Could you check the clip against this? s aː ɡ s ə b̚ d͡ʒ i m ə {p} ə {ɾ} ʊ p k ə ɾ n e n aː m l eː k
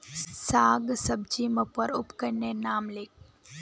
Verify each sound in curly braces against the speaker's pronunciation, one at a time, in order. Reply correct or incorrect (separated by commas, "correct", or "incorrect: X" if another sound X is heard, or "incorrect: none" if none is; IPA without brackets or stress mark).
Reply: correct, correct